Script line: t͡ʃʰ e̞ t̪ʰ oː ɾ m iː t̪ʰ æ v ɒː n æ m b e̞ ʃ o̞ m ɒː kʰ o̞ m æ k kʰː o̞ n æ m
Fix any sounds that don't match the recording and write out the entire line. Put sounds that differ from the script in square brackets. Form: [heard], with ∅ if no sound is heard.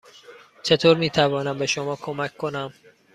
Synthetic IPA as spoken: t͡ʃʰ e̞ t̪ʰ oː ɾ m iː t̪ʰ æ v ɒː n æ m b e̞ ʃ o̞ m ɒː kʰ o̞ m æ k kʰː o̞ n æ m